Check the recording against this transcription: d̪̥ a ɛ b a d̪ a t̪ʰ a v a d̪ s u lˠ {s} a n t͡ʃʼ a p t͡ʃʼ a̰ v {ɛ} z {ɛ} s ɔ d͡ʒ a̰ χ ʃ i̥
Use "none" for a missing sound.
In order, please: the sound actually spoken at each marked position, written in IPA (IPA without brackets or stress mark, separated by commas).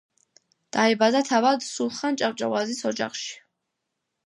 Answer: χ, a, i